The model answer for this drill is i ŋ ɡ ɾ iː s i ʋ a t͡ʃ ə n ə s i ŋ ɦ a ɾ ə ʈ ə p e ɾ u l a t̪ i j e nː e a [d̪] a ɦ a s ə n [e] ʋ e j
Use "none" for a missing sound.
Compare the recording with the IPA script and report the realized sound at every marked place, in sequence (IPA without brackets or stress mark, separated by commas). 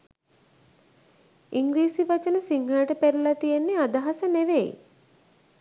d̪, e